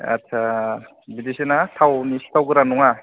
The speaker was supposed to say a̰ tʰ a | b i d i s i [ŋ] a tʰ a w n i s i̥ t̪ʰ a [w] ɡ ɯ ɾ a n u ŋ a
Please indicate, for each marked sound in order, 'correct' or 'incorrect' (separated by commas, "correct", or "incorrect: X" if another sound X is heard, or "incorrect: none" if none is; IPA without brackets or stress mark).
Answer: incorrect: n, correct